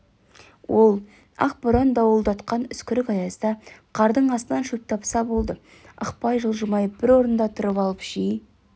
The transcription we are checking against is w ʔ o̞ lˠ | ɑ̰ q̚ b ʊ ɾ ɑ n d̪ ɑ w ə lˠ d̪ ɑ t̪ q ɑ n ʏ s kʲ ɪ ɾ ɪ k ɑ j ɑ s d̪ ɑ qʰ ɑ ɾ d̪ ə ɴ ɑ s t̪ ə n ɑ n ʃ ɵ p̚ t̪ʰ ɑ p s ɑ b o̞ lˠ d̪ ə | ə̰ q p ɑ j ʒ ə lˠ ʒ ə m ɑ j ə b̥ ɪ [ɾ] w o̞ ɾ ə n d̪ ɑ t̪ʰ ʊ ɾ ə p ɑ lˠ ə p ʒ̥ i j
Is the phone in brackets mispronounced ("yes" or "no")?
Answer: no